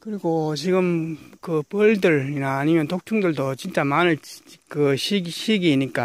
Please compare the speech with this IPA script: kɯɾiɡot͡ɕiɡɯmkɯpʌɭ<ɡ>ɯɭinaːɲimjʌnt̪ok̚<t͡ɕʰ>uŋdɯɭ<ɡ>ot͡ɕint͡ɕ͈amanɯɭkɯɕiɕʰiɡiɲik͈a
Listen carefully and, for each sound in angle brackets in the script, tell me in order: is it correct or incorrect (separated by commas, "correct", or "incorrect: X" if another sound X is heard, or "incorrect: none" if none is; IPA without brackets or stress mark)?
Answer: incorrect: d, correct, incorrect: d